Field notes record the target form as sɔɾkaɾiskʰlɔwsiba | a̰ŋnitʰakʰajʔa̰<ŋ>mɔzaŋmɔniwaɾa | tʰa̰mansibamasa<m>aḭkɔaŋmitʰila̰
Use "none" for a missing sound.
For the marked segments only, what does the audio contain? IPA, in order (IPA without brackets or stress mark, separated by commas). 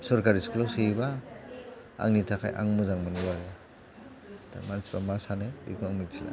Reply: ŋ, n